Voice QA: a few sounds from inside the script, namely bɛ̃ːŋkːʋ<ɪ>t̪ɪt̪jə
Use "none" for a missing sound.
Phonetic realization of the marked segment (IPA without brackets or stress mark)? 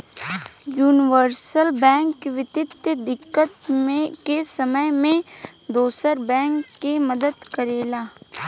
ɪ